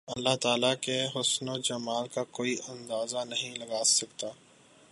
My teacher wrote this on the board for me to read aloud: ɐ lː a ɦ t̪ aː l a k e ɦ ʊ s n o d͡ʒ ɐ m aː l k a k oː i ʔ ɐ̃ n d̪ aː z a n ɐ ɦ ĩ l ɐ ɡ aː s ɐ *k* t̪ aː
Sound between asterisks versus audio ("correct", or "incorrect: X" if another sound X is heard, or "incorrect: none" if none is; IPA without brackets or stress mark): correct